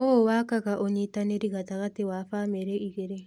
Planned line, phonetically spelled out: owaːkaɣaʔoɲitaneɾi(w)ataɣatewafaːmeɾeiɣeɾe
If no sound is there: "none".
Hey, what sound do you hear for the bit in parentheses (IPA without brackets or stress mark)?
ɣ